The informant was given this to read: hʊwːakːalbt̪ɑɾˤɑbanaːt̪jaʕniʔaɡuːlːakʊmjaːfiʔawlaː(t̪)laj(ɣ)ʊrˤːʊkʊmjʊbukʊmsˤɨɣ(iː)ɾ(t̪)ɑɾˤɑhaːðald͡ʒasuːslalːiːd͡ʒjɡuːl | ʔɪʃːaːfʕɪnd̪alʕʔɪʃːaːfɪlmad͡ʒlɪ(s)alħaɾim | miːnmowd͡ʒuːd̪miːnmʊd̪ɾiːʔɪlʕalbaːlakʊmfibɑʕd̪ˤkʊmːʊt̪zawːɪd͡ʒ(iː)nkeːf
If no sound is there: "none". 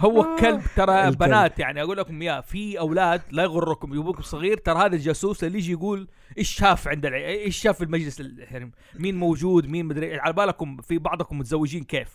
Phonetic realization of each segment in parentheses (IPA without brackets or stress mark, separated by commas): d̪, ɣ, iː, t̪, s, iː